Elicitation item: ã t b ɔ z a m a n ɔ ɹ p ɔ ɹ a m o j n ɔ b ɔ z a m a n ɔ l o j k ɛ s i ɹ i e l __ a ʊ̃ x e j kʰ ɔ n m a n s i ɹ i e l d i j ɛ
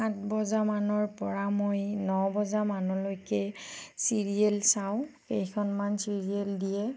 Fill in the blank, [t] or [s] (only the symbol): s